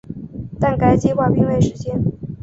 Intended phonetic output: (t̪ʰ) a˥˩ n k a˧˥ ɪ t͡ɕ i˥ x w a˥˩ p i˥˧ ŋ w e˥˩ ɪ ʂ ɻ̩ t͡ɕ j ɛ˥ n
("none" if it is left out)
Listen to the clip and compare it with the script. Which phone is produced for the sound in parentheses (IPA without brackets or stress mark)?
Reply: t̪